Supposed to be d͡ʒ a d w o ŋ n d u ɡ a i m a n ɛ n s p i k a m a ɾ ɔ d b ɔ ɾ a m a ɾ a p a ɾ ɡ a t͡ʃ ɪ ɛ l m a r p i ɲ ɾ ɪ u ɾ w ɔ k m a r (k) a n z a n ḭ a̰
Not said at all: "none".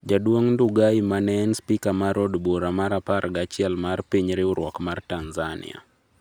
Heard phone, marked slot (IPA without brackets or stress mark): t